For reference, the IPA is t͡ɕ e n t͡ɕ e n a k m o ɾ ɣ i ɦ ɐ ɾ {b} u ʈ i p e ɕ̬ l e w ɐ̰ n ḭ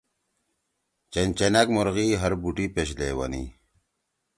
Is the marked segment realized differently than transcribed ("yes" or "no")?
no